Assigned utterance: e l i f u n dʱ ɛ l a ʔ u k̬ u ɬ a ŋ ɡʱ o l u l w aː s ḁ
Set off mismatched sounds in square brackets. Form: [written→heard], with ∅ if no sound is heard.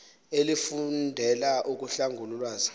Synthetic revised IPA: e l i f u n dʱ ɛ l a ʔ u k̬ u ɬ a ŋ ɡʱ [o→u] l u l w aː [s→z] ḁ